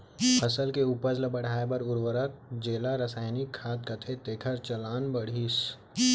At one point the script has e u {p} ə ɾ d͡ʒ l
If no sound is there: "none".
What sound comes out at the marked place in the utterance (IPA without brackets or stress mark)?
p